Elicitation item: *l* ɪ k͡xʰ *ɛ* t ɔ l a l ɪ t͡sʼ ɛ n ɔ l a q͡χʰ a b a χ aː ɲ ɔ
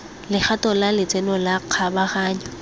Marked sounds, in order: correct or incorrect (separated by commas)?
correct, incorrect